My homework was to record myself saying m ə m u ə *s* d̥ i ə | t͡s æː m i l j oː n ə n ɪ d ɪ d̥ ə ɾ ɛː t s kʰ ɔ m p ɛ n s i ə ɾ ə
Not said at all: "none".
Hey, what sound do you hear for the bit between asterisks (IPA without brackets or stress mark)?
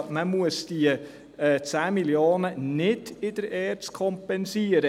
s